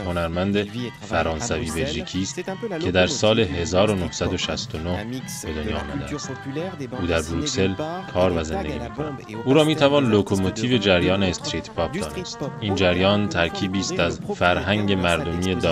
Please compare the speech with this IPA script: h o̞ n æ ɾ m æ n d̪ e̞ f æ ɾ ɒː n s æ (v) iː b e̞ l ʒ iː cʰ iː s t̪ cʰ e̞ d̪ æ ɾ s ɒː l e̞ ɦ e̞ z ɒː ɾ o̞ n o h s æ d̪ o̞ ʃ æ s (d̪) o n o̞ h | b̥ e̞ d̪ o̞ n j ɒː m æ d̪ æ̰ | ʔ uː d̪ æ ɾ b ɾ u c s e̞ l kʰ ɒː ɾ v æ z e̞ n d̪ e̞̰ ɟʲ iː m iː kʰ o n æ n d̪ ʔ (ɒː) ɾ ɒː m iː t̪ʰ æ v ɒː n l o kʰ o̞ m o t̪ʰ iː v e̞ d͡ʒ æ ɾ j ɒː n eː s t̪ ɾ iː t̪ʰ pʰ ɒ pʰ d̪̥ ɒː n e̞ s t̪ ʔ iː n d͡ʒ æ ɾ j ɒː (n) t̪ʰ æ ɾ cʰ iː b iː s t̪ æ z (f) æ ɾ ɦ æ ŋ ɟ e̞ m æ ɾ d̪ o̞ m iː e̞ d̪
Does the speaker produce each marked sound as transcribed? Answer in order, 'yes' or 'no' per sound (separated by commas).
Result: yes, no, no, yes, yes